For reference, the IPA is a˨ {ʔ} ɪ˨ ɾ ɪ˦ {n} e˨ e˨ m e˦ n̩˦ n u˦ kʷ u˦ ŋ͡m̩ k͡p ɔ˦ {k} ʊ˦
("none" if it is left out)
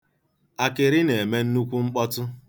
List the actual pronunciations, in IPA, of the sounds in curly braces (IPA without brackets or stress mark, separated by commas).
k, n, t